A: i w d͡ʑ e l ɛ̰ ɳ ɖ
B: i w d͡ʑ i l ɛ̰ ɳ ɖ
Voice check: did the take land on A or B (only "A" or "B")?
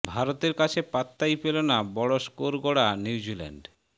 B